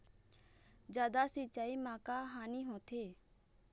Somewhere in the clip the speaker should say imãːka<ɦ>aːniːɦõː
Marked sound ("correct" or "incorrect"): correct